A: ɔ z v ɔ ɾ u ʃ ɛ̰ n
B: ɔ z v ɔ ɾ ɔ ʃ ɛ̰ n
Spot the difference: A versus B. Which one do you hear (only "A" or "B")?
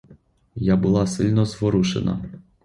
A